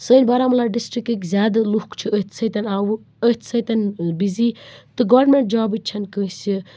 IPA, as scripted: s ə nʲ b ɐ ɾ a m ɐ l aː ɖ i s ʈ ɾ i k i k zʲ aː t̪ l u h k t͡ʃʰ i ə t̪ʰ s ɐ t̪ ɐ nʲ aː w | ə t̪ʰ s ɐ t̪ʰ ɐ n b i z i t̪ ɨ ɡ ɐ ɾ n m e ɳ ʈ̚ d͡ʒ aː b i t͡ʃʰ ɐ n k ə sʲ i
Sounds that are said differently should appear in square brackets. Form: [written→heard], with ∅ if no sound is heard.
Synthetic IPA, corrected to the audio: s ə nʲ b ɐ ɾ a m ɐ l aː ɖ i s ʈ ɾ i k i k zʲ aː [t̪→d̪] l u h k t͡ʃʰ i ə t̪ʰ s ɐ t̪ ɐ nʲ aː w | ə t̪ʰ s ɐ [t̪ʰ→t̪] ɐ n b i z i t̪ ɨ ɡ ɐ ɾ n m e ɳ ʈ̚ d͡ʒ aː b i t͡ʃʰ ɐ n k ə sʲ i